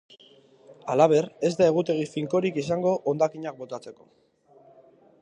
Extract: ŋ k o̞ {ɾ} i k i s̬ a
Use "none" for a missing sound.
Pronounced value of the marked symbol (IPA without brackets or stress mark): ɾ